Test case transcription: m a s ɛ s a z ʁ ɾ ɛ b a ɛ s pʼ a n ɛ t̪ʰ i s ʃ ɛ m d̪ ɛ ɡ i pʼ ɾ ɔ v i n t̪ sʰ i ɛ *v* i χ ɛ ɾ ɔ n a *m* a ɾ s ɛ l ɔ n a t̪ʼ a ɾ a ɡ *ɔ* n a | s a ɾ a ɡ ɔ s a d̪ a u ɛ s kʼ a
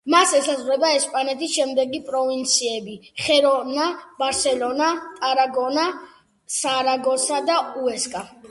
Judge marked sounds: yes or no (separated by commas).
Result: no, no, yes